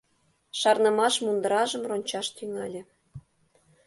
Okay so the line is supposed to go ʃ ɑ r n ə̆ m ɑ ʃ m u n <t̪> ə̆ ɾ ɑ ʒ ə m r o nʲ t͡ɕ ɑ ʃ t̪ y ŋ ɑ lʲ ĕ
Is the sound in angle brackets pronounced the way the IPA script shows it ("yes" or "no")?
no